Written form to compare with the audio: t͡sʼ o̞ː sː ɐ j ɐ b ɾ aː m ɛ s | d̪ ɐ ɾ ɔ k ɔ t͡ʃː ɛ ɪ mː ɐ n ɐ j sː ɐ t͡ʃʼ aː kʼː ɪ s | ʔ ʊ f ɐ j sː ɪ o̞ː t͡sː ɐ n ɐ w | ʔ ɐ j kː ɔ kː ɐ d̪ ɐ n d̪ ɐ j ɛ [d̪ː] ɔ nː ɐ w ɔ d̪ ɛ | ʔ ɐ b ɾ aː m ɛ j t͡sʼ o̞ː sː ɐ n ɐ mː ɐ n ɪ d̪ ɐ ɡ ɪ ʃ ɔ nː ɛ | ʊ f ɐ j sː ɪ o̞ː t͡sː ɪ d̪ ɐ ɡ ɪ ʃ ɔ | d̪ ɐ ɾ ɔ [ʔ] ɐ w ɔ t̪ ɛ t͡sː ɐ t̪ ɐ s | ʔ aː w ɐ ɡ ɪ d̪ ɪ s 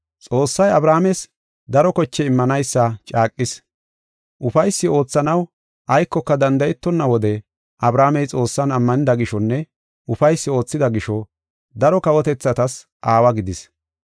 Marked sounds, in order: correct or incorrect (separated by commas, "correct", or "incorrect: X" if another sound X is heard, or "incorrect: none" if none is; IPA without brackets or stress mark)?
incorrect: t̪ː, incorrect: k